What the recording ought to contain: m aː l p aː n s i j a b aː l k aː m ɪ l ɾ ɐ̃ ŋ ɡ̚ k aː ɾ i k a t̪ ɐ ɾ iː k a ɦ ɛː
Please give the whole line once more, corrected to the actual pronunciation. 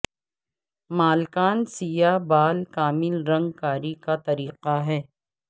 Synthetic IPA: m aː l k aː n s i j a b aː l k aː m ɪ l ɾ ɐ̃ ŋ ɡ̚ k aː ɾ i k a t̪ ɐ ɾ iː q a ɦ ɛː